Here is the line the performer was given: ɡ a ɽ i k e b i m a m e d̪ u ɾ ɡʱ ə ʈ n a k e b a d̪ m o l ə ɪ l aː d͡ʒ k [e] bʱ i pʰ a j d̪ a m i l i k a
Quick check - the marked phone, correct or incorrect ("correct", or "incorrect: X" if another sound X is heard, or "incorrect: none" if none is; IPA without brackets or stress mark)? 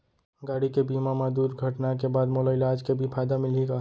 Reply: correct